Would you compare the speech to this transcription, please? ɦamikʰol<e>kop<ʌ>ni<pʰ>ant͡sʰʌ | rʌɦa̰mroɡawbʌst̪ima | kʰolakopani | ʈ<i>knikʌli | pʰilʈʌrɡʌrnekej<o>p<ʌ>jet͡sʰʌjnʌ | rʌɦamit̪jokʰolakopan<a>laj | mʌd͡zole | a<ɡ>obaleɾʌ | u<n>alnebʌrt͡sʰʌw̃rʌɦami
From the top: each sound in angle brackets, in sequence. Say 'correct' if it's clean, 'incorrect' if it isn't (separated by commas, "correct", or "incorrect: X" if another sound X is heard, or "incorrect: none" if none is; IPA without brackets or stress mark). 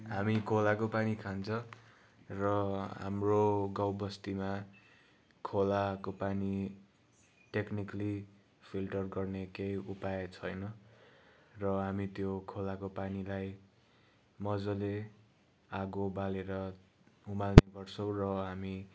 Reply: incorrect: a, incorrect: a, incorrect: kʰ, incorrect: e, incorrect: u, incorrect: a, incorrect: i, correct, incorrect: m